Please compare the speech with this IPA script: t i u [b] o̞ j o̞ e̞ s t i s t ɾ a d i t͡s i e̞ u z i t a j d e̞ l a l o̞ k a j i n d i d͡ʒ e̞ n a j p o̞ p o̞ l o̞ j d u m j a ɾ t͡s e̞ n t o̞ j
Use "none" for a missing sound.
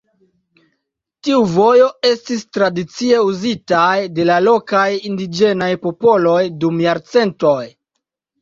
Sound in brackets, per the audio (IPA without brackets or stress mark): v